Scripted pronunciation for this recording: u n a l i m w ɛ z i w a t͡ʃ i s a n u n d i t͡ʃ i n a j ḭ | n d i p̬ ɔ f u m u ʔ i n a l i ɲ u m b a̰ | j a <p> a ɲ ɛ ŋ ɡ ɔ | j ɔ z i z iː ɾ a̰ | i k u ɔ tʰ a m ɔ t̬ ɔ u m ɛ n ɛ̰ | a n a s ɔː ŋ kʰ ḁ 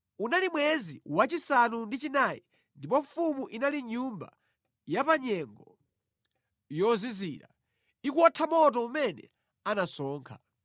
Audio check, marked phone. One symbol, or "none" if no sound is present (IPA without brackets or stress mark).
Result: p